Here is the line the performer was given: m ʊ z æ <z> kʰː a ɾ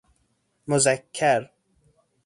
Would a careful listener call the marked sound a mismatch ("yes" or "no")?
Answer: yes